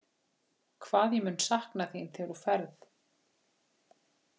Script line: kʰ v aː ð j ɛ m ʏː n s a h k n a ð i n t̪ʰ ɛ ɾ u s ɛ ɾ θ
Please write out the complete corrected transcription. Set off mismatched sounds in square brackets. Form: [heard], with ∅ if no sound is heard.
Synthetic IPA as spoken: kʰ v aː ð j ɛ m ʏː n s a h k n a [θ] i n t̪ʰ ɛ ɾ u [f] ɛ ɾ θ